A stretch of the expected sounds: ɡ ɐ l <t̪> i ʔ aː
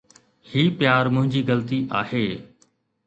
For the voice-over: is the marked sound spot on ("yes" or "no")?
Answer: yes